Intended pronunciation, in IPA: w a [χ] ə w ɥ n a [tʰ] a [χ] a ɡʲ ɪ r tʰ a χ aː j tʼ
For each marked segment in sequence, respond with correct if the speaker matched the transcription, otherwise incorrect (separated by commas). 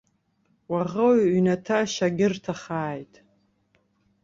incorrect, correct, incorrect